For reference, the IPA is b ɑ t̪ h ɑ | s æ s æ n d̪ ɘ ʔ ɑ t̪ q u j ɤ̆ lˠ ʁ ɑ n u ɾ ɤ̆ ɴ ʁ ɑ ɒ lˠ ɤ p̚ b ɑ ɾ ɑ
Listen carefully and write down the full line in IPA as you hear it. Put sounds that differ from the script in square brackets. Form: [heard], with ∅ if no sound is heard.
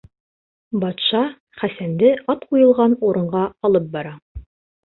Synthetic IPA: b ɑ t̪ [ʃ] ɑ | [χ] æ s æ n d̪ ɘ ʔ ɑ t̪ q u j ɤ̆ lˠ ʁ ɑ n u ɾ ɤ̆ ɴ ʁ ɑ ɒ lˠ ɤ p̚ b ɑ ɾ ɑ